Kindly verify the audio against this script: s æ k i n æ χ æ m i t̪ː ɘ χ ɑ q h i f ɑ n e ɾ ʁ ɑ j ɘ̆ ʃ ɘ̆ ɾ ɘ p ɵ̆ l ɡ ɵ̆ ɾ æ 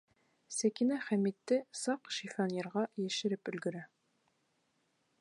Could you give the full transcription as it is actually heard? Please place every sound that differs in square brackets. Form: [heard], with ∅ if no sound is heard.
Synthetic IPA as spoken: s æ k i n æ χ æ m i t̪ː ɘ [s] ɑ q [ʃ] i f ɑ n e ɾ ʁ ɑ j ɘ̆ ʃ ɘ̆ ɾ ɘ p ɵ̆ l ɡ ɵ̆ ɾ æ